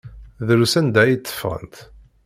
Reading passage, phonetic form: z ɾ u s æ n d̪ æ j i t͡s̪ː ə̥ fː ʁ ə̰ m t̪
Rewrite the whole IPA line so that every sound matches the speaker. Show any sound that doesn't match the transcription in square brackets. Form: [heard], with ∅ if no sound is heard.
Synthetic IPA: [ð] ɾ u s æ n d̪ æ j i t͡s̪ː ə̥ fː ʁ ə̰ [n] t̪